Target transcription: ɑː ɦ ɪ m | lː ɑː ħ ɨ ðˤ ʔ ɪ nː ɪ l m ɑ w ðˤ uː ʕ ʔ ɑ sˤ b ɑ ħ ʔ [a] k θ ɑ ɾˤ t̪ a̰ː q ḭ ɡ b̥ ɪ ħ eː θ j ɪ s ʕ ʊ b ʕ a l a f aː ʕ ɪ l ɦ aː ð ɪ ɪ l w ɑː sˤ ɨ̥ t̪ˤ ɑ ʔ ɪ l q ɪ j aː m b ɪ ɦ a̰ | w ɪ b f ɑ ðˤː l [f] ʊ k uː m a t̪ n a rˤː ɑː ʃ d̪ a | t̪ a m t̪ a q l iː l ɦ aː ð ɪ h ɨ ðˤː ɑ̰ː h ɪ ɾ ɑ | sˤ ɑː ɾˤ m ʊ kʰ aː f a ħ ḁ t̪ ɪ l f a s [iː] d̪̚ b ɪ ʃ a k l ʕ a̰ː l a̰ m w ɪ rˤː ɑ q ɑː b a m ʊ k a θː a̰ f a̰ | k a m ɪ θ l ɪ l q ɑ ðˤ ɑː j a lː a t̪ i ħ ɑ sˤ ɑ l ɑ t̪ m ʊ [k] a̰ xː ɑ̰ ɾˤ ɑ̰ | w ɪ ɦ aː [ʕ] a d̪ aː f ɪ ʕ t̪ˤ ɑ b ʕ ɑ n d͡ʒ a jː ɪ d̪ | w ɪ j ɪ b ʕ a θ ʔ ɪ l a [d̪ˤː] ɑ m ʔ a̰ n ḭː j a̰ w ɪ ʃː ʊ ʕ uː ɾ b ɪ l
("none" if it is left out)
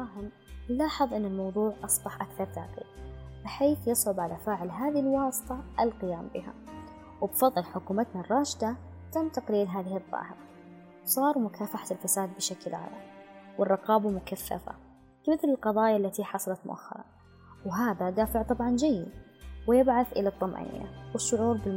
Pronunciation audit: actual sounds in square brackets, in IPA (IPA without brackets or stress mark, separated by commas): a, ħ, aː, ʔ, ð, t̪ˤː